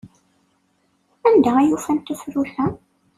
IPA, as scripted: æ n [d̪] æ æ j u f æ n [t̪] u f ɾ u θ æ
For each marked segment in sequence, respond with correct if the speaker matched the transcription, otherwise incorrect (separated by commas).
correct, correct